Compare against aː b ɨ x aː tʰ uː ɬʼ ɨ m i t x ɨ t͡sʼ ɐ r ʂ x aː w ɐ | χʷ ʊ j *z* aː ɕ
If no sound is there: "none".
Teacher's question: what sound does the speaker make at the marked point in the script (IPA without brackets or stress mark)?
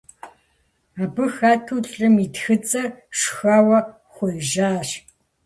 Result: ʒ